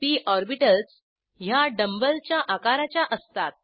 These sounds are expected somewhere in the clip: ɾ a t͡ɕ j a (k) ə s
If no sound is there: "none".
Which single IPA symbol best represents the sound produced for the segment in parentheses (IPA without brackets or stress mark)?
ʔ